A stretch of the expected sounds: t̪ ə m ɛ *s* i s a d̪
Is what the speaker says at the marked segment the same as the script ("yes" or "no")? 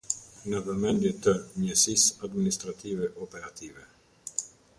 yes